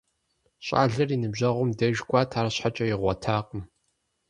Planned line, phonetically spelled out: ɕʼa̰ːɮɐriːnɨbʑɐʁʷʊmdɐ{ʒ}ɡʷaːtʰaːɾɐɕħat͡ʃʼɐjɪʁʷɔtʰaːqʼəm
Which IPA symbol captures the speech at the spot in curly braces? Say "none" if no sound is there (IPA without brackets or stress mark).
ʒ